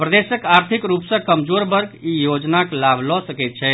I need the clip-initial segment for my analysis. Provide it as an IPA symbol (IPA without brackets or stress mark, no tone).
p